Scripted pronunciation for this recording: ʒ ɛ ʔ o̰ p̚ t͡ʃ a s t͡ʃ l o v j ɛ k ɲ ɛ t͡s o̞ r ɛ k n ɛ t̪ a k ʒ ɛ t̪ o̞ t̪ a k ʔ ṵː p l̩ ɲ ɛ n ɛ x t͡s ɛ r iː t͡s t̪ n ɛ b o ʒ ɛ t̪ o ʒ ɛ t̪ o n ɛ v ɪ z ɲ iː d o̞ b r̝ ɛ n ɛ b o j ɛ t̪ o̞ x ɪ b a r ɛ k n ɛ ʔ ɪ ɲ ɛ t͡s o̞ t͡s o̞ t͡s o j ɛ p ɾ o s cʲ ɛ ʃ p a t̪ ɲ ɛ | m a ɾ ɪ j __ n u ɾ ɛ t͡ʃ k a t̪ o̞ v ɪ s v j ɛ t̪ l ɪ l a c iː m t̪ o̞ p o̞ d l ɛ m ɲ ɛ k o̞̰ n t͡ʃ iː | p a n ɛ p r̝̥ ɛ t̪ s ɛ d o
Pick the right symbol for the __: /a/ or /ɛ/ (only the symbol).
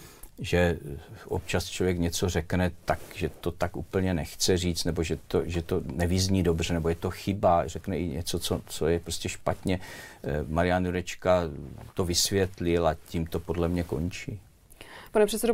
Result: a